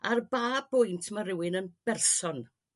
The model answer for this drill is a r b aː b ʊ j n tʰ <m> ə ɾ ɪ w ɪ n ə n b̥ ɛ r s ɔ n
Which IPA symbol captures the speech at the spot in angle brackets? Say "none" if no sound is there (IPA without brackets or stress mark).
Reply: m